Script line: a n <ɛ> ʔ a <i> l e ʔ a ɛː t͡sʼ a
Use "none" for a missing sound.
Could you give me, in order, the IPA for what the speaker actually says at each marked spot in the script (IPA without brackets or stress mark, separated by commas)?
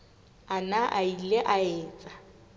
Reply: a, i